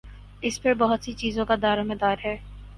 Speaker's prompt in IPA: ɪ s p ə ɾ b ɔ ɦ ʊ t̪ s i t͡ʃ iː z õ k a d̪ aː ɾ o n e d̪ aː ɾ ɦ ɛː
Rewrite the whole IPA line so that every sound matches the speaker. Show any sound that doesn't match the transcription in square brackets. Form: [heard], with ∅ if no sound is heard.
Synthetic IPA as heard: ɪ s p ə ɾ b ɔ ɦ ʊ t̪ s i t͡ʃ iː z õ k a d̪ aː ɾ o [m] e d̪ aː ɾ ɦ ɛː